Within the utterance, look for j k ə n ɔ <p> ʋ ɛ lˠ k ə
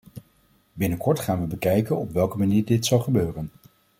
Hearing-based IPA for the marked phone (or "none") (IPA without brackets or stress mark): p